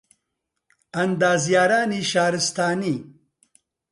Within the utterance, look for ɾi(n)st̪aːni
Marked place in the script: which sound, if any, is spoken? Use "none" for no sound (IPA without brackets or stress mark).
none